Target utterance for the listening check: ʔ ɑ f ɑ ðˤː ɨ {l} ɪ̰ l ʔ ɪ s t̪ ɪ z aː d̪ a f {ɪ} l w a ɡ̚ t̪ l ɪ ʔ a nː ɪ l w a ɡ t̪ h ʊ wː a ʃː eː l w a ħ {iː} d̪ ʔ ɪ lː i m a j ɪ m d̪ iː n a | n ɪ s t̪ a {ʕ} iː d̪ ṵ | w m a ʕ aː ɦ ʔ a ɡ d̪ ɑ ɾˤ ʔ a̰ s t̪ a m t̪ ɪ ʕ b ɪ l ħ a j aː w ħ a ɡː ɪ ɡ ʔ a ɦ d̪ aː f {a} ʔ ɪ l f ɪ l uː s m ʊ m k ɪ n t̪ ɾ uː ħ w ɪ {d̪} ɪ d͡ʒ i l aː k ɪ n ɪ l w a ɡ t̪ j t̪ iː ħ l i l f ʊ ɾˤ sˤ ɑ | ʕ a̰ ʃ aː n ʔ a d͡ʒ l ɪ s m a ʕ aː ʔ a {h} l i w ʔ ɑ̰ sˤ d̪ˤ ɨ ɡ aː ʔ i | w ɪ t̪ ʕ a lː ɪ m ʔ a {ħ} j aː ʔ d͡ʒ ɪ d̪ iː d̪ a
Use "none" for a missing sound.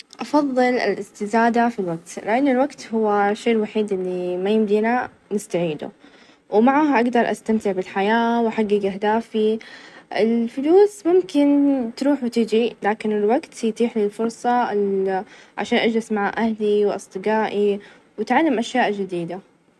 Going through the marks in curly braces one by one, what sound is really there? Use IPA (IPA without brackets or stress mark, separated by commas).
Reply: l, i, iː, ʕ, i, t̪, h, ʃ